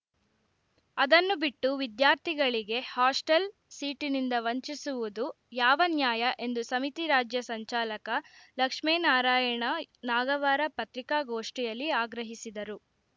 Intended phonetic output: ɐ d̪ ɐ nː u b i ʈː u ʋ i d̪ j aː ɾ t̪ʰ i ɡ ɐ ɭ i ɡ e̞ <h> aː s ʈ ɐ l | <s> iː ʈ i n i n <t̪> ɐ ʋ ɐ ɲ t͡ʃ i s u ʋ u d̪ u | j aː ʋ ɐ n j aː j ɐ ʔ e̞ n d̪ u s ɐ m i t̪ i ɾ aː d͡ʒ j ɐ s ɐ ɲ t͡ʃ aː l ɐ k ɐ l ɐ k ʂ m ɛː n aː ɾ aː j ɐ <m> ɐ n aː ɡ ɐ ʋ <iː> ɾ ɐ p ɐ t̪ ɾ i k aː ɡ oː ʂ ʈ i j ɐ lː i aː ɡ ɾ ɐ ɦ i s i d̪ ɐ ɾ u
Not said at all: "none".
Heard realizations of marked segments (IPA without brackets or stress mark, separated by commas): h, s, d̪, ɳ, aː